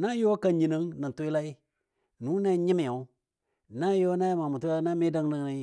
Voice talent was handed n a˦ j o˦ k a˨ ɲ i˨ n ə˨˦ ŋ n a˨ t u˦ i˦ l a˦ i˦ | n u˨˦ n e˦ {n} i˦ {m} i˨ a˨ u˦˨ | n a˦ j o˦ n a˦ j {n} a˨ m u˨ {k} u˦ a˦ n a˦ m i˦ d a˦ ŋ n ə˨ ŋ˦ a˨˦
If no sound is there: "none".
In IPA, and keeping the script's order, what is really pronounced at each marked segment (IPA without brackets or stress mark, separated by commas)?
ɲ, m, m, t